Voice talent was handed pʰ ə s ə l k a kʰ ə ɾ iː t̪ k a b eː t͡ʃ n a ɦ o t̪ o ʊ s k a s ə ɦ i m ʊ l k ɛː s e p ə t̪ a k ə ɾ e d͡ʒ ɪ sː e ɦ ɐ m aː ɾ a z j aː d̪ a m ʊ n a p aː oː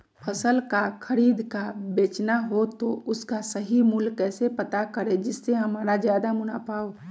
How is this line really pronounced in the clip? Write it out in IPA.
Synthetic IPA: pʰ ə s ə l k a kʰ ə ɾ iː d̪ k a b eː t͡ʃ n a ɦ o t̪ o ʊ s k a s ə ɦ i m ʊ l k ɛː s e p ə t̪ a k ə ɾ e d͡ʒ ɪ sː e ɦ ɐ m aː ɾ a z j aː d̪ a m ʊ n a p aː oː